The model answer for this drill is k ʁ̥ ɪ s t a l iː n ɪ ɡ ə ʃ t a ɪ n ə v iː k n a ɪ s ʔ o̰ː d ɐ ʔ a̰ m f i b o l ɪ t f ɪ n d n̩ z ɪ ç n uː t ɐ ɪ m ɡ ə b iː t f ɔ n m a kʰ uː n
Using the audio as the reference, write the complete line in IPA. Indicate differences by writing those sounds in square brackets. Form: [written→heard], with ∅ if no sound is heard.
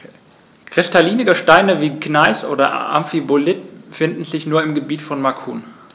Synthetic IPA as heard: k ʁ̥ ɪ s t a l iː n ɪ ɡ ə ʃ t a ɪ n ə v iː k n a ɪ s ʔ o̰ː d ɐ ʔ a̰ m f i b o l ɪ t f ɪ n d n̩ z ɪ ç n uː [t→∅] ɐ ɪ m ɡ ə b iː t f ɔ n m a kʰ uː n